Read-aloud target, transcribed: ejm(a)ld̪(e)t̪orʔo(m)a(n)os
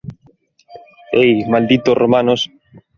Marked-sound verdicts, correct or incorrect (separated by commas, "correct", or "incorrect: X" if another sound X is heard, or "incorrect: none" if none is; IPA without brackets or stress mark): correct, incorrect: i, correct, correct